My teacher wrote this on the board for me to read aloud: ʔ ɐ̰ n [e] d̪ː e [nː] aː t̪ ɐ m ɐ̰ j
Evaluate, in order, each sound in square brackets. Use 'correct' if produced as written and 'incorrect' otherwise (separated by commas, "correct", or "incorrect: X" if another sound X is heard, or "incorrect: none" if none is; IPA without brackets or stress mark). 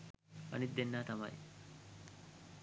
incorrect: i, correct